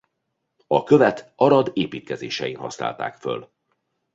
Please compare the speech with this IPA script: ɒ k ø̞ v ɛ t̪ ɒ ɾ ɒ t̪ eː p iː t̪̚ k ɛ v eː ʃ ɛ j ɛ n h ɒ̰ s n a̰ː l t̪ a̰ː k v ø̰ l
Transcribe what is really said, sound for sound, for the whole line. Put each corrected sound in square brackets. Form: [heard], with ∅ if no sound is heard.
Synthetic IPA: ɒ k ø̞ v ɛ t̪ ɒ ɾ ɒ [d̪] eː p iː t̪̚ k ɛ [z] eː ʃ ɛ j [i] n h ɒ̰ s n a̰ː l t̪ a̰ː k [f] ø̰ l